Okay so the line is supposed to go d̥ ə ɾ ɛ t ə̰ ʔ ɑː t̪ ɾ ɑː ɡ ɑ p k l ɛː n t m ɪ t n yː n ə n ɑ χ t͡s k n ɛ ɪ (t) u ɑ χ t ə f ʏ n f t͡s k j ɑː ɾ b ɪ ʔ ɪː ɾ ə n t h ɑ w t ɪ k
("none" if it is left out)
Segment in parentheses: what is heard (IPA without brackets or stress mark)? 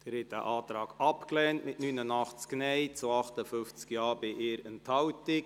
t͡s